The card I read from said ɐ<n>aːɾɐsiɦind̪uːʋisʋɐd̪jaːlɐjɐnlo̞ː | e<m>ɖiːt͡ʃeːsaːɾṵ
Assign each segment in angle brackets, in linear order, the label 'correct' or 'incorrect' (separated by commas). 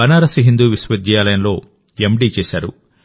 correct, correct